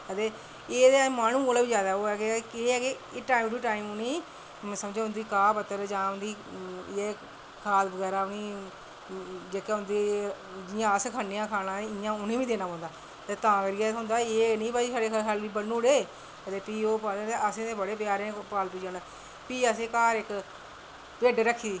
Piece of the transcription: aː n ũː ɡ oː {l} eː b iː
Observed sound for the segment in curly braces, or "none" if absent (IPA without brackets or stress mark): l